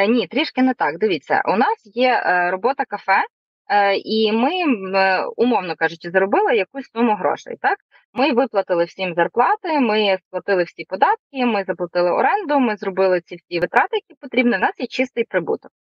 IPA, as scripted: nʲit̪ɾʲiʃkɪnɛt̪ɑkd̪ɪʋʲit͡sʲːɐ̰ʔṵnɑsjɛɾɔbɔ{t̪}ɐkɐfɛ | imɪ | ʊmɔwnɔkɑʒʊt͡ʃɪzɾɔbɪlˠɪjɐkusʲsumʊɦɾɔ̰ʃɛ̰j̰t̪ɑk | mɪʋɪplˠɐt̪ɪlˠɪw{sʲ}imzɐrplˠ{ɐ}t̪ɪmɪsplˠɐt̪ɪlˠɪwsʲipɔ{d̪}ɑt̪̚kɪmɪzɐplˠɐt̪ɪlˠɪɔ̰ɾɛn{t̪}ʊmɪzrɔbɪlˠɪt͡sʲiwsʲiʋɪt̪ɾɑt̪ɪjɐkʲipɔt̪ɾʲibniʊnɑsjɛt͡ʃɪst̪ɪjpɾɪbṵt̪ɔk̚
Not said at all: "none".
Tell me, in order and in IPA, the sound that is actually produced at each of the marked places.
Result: t̪, sʲ, ɑ, d̪, d̪

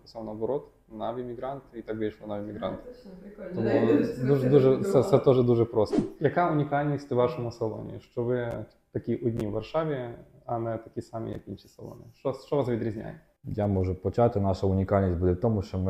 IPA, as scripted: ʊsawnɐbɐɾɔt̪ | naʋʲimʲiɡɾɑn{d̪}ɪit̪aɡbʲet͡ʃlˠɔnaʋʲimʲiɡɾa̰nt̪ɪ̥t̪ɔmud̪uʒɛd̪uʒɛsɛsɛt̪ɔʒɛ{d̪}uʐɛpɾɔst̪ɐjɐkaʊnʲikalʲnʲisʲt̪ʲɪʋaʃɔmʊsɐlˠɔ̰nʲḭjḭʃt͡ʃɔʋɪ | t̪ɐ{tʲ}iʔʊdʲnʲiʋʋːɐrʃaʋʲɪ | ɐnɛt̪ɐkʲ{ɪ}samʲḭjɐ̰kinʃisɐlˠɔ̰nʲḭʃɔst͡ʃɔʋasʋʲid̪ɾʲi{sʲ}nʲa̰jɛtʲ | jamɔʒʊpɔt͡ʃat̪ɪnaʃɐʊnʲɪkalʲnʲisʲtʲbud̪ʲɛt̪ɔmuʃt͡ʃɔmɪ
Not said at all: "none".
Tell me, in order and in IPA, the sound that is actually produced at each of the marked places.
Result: t̪, d̪, kʲ, i, zʲ

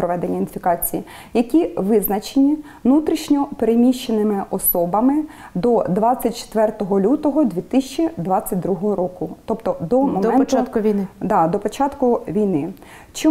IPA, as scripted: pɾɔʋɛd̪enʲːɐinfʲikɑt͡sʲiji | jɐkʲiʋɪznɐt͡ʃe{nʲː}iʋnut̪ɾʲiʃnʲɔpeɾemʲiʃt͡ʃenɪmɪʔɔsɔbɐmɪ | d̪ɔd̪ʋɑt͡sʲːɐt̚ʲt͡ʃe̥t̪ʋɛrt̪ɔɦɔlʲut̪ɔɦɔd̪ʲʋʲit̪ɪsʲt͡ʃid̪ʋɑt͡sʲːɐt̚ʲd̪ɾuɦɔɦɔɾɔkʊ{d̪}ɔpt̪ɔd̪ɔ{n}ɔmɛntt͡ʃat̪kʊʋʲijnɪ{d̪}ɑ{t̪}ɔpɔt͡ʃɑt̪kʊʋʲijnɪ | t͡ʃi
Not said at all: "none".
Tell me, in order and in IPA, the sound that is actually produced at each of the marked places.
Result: nʲ, t̪, m, d̪, d̪

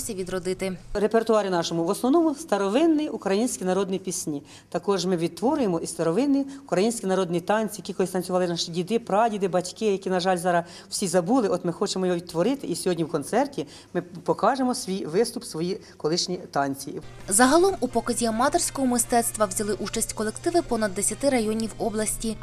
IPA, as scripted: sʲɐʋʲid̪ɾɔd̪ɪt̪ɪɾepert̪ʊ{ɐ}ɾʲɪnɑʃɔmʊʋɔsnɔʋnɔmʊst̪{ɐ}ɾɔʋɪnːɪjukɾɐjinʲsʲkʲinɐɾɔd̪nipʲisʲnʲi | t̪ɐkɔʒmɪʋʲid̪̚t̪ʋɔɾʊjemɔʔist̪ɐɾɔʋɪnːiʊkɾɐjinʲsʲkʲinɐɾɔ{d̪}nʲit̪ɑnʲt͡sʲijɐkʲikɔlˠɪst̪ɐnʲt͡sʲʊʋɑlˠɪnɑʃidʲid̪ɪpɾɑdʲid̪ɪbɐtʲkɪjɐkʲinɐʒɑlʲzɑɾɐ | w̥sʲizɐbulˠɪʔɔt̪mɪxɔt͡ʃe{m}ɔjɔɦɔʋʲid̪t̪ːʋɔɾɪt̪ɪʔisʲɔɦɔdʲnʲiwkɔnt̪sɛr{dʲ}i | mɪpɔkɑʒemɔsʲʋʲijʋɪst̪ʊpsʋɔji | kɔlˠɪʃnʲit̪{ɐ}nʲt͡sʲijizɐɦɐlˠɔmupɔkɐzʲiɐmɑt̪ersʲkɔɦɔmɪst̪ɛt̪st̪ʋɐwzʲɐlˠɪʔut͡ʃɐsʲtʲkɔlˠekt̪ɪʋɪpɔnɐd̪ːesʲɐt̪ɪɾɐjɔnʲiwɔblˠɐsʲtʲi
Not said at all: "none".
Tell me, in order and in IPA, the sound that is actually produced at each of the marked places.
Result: ɑ, ɐ, d̪, m, tʲ, ɑ

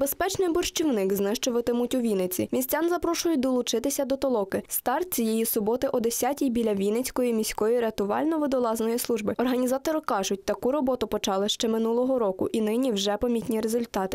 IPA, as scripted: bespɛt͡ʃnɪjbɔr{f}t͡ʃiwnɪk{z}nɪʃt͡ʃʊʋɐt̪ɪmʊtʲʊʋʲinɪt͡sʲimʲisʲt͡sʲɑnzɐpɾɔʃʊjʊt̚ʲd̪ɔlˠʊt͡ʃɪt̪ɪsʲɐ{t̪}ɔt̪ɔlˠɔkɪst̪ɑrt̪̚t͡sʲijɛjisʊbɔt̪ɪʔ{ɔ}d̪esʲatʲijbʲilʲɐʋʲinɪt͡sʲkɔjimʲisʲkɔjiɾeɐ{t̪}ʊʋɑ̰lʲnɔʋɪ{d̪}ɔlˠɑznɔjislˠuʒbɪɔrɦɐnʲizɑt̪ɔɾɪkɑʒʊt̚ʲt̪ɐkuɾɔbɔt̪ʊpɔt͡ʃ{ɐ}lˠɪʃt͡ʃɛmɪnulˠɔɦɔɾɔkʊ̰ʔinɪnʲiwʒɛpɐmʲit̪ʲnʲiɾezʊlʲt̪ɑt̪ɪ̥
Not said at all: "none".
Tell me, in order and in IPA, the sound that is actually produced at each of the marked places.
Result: ʃ, z, d̪, ɔ, t̪, d̪, ɑ

